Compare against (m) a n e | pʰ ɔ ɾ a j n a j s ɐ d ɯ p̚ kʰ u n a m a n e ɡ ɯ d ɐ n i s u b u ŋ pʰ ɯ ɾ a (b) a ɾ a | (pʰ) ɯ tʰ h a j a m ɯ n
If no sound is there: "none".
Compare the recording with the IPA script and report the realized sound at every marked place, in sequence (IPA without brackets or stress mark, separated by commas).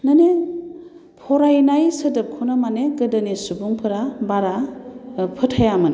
n, b, pʰ